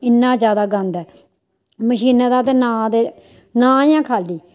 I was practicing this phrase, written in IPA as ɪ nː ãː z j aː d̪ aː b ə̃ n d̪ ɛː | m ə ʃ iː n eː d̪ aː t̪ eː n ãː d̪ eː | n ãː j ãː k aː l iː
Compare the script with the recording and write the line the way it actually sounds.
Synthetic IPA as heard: ɪ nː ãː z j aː d̪ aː ɡ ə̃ n d̪ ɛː | m ə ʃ iː n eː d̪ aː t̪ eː n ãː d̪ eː | n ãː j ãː kʰ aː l iː